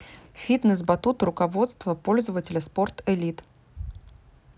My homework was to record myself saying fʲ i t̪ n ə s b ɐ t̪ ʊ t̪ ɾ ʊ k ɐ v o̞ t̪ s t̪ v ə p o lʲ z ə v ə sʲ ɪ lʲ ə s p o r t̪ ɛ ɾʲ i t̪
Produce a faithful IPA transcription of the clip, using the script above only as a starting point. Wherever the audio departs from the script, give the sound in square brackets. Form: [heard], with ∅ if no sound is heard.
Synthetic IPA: fʲ i t̪ n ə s b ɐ t̪ [u] t̪ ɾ ʊ k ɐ v o̞ t̪ s t̪ v ə p o lʲ z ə v ə [tʲ] ɪ lʲ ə s p o r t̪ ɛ [lʲ] i t̪